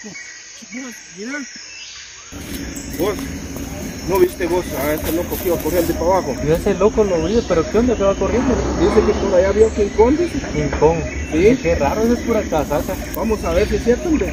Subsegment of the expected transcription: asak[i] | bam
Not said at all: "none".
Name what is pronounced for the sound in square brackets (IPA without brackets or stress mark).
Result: a